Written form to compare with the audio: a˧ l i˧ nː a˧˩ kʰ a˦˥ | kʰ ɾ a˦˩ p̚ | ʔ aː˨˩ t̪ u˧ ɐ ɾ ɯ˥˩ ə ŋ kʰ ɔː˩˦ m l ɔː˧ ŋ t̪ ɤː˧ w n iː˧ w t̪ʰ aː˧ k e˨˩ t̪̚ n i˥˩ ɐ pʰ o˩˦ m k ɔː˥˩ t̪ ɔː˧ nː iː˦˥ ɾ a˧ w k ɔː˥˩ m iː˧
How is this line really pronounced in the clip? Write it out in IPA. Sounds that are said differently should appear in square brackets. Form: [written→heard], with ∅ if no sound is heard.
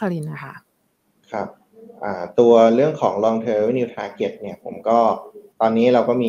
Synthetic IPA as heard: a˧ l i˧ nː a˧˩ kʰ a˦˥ | kʰ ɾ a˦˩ p̚ | ʔ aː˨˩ t̪ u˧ ɐ ɾ ɯ˥˩ ə ŋ kʰ ɔː˩˦ [m→ŋ] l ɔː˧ ŋ [t̪→t̪ʰ] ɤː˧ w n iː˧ w t̪ʰ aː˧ k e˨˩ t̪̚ n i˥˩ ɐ pʰ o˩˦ m k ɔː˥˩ t̪ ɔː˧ nː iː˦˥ ɾ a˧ w k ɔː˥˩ m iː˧